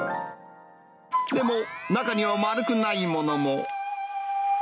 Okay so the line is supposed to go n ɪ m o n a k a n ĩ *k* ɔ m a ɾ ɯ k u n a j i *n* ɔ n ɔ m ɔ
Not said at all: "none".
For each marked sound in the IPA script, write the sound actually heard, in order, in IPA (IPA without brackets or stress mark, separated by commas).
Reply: none, m